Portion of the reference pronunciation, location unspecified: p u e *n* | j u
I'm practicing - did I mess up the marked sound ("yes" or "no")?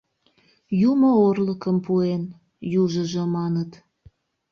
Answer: no